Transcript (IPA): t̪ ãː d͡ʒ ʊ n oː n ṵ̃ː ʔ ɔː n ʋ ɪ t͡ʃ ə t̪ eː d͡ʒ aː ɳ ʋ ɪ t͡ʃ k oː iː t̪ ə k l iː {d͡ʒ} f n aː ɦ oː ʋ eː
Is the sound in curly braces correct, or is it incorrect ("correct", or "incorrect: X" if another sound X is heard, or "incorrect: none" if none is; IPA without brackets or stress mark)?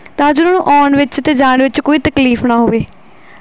incorrect: none